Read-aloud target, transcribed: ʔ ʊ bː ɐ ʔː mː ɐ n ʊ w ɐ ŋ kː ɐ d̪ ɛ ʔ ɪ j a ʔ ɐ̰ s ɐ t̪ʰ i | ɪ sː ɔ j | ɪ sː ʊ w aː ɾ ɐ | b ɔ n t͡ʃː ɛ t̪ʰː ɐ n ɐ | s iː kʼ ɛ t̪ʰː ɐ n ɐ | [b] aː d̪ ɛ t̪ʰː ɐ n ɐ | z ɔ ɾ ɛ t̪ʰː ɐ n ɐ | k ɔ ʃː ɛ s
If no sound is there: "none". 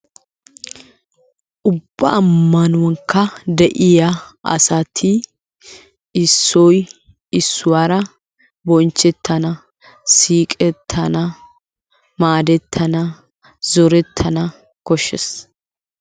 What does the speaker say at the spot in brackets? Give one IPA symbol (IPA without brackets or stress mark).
m